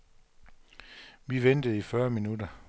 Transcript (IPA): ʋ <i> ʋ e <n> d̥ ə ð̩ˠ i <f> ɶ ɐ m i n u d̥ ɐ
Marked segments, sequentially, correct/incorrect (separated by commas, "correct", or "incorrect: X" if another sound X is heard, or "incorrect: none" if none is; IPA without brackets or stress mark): correct, correct, correct